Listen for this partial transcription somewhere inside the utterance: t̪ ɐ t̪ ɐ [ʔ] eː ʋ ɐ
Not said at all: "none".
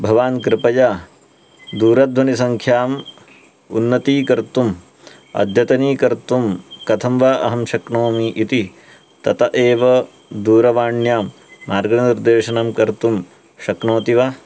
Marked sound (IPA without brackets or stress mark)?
ʔ